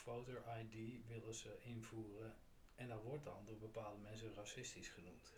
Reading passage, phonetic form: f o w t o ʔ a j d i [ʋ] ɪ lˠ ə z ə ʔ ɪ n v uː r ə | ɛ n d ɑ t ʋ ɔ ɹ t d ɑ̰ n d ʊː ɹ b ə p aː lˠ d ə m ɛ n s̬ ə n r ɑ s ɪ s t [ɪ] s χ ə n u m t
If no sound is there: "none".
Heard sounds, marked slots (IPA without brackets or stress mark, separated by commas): ʋ, i